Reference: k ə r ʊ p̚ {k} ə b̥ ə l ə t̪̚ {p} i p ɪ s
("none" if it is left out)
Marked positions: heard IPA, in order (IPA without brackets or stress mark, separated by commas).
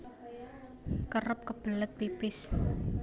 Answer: k, p